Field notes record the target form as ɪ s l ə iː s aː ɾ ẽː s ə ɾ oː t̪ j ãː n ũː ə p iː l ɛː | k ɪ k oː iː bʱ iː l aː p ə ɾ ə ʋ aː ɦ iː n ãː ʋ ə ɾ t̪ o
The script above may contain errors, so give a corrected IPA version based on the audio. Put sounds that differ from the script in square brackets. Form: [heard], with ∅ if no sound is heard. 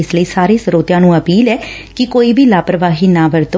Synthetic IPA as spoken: ɪ s l ə iː s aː ɾ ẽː s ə ɾ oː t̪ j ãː n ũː ə p iː l ɛː | k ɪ k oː iː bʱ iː l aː p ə ɾ ə ʋ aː ɦ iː n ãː ʋ ə ɾ t̪ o

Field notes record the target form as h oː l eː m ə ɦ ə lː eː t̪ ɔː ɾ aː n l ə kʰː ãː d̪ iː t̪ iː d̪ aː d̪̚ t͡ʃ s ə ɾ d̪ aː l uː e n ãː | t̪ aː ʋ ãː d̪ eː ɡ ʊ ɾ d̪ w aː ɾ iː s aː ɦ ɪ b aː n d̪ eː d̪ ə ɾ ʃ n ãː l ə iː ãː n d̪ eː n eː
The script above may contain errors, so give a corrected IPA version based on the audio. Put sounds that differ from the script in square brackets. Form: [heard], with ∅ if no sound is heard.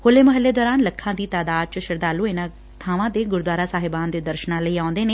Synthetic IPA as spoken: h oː l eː m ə ɦ ə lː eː [d̪] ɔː ɾ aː n l ə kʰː ãː d̪ iː t̪ [aː] d̪ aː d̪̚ t͡ʃ [ʃ] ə ɾ d̪ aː l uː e n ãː | [t̪ʰ] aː ʋ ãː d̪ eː ɡ ʊ ɾ d̪ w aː ɾ [aː] s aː ɦ ɪ b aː n d̪ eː d̪ ə ɾ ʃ n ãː l ə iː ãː n d̪ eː n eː

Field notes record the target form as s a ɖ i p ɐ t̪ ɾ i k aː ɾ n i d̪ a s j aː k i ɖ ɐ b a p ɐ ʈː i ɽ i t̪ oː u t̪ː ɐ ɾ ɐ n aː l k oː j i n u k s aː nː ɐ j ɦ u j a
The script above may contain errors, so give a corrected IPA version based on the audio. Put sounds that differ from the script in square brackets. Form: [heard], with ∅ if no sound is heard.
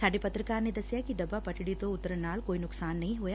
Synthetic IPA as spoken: s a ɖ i p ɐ t̪ ɾ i k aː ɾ n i d̪ [ɐ] s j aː k i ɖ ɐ b a p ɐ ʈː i ɽ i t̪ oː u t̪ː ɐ ɾ ɐ n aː l k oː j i n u k s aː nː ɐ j ɦ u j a

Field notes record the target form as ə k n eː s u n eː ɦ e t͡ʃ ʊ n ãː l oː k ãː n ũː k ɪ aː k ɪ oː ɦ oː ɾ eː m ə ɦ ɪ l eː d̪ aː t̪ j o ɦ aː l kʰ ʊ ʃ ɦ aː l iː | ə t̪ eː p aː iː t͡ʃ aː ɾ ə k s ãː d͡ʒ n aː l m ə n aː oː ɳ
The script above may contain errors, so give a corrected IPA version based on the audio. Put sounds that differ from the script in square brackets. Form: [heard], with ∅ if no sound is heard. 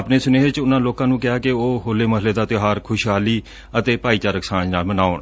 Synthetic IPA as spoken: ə [p] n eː s [ʊ] n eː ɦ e t͡ʃ ʊ n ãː l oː k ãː n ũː k ɪ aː k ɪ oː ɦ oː [l] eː m ə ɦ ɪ l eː d̪ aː t̪ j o ɦ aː [ɾ] kʰ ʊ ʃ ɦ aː l iː | ə t̪ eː p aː iː t͡ʃ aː ɾ ə k s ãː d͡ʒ n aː l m ə n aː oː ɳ

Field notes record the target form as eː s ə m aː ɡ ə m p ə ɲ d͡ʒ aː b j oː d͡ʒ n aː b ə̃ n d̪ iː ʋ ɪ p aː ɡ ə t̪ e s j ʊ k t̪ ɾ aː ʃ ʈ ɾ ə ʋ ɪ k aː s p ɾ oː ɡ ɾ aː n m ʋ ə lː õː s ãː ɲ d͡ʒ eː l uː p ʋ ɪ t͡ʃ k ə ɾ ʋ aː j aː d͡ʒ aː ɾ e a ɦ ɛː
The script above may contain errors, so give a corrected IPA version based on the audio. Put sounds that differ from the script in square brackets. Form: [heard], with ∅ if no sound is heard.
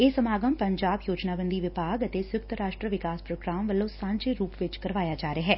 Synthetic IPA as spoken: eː s ə m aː ɡ ə m p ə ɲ d͡ʒ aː b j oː d͡ʒ n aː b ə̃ n d̪ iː ʋ ɪ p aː ɡ ə t̪ e s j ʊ k t̪ ɾ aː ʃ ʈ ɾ ə ʋ ɪ k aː s p ɾ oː ɡ ɾ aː [∅] m ʋ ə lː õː s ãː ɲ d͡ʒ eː [ɾ] uː p ʋ ɪ t͡ʃ k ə ɾ ʋ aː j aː d͡ʒ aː ɾ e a ɦ ɛː

